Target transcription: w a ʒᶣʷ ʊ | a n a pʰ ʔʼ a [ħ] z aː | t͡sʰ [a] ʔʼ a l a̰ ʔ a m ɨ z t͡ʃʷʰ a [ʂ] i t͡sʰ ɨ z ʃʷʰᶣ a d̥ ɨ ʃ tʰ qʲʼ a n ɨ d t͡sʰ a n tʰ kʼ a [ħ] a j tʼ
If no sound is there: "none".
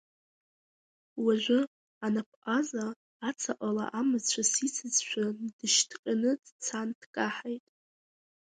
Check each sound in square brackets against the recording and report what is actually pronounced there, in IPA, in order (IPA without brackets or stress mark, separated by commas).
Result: none, a, s, ħ